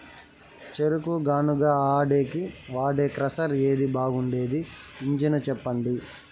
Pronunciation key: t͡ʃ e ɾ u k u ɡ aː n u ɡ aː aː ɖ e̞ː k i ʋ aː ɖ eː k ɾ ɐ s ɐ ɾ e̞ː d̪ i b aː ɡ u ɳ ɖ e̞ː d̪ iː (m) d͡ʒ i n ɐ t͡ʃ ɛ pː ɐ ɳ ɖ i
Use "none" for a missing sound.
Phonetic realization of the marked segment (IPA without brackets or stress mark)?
ɲ